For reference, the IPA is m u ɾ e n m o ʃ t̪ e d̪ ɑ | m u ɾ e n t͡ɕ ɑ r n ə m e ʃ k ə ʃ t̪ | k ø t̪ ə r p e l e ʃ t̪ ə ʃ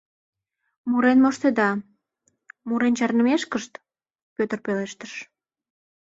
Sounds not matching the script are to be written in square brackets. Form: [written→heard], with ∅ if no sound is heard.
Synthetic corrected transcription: m u ɾ e n m o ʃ t̪ e d̪ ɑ | m u ɾ e n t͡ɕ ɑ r n ə m e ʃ k ə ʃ t̪ | [k→p] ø t̪ ə r p e l e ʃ t̪ ə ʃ